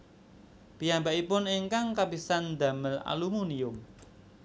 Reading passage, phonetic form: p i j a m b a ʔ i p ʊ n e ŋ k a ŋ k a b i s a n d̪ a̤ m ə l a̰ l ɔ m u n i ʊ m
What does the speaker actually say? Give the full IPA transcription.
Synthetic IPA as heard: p i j a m b a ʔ i p ʊ n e ŋ k a ŋ k a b i s a n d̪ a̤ m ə l a̰ l u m u n i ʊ m